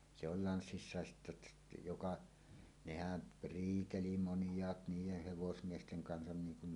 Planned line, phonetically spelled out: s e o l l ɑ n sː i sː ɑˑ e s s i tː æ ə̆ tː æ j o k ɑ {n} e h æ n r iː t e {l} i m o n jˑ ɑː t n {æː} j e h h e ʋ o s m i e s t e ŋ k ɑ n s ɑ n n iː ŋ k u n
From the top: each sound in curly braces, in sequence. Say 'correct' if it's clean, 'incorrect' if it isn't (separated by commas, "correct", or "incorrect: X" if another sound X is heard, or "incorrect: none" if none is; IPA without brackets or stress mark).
correct, correct, incorrect: iː